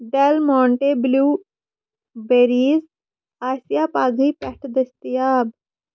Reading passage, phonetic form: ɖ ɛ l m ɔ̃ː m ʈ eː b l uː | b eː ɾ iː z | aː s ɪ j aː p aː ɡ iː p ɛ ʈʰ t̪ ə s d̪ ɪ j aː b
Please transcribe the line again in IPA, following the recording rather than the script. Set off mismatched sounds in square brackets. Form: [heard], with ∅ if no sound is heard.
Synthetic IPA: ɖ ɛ l m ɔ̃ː [ɳ] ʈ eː b l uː | b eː ɾ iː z | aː s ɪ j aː p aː ɡ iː p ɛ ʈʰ [d̪] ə s [t̪] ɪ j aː b